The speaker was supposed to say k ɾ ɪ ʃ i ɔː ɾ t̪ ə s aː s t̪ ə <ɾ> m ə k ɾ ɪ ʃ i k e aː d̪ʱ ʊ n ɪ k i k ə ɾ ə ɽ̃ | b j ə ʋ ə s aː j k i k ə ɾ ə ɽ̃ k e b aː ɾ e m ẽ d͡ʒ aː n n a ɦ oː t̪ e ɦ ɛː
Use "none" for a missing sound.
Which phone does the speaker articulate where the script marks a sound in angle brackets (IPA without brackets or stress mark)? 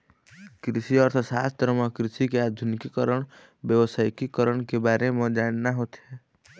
ɾ